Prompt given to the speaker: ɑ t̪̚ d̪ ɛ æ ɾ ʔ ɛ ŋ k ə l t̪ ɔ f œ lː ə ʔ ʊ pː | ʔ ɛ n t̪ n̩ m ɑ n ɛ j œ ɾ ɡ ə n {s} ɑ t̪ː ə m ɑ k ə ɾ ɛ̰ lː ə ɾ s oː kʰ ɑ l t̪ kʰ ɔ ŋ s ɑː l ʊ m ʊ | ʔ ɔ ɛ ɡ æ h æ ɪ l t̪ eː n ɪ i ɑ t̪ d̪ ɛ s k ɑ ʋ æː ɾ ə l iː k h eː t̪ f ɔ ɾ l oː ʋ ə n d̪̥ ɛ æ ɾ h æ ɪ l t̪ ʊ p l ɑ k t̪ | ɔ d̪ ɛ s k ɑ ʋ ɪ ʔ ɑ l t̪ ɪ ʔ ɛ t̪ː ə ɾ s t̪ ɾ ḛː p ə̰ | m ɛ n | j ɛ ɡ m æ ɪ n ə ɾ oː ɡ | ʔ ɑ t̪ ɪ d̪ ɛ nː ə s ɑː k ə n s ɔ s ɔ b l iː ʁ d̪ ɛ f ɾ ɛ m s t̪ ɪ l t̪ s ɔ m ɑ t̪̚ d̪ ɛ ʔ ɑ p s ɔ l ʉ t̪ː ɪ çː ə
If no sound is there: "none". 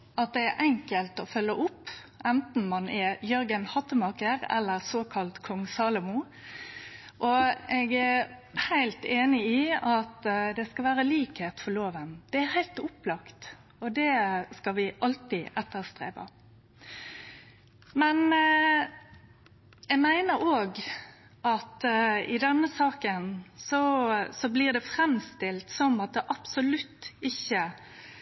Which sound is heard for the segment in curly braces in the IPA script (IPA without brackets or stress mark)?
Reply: h